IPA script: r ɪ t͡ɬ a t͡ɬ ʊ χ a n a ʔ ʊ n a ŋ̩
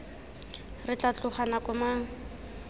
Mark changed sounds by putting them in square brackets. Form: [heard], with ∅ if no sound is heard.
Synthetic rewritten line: r ɪ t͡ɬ a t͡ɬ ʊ χ a n a [k] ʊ [m] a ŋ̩